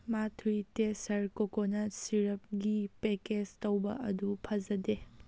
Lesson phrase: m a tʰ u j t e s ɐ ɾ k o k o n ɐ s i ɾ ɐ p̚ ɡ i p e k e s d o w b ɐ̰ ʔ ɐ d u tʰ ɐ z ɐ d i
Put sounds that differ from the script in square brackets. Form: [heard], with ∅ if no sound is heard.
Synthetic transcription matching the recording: m a tʰ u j t e s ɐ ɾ k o k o n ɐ s i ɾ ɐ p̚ ɡ i p e k e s [t] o w b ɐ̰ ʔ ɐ d u [pʰ] ɐ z ɐ d [e]